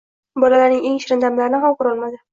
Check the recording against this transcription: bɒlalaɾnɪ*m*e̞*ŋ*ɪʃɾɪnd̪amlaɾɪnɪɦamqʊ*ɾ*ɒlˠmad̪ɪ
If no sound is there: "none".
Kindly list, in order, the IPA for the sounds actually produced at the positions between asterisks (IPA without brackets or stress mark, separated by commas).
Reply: ŋ, ŋ, ɾ